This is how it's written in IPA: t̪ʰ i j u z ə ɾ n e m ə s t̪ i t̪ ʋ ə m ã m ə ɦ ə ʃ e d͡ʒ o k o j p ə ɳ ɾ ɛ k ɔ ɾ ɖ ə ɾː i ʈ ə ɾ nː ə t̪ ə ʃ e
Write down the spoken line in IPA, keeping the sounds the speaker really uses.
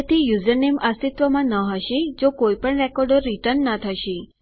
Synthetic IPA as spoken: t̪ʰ i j u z ə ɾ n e m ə s t̪ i t̪ ʋ ə m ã n ə ɦ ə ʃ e d͡ʒ o k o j p ə ɳ ɾ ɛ k ɔ ɾ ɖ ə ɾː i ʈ ə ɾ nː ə t̪ʰ ə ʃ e